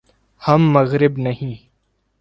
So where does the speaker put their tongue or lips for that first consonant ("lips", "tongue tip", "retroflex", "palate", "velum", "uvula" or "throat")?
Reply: throat